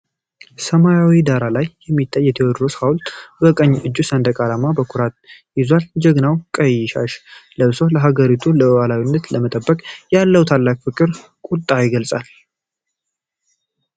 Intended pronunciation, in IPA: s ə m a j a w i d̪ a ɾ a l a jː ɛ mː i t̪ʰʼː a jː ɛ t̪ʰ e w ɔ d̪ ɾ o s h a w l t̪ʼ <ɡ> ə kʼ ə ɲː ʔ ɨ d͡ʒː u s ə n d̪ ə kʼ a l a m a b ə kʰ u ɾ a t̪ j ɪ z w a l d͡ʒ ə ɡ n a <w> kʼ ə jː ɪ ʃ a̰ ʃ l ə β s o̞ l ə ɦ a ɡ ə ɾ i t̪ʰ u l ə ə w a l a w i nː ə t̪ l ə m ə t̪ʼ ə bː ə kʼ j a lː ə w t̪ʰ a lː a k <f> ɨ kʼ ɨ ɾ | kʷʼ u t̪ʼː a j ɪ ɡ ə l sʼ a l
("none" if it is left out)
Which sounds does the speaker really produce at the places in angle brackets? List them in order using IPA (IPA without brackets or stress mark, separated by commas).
b, w, f